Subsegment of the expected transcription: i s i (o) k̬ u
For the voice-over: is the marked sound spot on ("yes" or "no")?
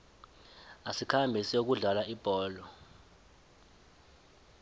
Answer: yes